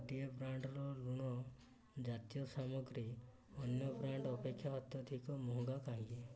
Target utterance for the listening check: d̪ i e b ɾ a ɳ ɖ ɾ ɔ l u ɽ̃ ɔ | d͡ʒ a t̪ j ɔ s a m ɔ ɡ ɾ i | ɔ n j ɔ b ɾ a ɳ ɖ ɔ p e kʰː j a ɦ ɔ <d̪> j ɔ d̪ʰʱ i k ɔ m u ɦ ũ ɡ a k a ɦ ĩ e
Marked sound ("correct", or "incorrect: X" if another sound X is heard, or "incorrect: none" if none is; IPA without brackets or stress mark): incorrect: t̪